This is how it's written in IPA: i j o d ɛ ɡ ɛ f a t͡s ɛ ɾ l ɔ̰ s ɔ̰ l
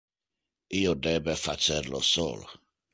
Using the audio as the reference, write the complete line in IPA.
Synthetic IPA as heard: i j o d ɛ b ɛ f a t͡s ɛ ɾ l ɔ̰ s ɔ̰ l